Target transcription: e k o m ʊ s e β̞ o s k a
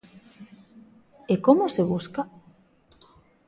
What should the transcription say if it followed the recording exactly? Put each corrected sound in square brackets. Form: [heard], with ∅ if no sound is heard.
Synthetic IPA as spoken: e k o m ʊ s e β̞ [u] s k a